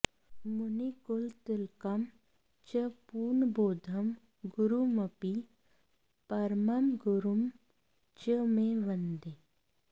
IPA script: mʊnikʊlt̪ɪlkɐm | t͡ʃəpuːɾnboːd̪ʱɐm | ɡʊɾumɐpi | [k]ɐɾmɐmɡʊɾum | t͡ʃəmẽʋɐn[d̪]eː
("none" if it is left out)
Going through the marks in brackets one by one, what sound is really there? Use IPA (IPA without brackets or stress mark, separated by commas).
p, d̪